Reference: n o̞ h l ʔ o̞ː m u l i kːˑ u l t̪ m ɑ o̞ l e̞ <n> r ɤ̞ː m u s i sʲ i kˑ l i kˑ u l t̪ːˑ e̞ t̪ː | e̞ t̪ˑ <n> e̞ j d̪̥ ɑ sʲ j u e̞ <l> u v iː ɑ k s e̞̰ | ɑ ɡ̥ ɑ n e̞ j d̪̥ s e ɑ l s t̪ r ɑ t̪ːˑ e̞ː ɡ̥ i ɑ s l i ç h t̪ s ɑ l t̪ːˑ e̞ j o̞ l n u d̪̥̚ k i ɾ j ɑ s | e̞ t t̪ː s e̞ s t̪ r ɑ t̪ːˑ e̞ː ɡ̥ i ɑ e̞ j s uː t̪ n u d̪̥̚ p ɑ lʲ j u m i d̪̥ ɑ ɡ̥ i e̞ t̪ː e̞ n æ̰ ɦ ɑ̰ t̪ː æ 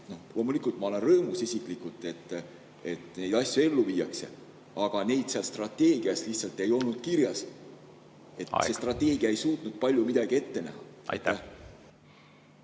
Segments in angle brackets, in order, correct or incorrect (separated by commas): correct, correct, incorrect